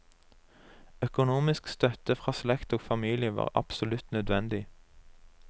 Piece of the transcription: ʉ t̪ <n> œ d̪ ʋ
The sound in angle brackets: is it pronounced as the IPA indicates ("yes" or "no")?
yes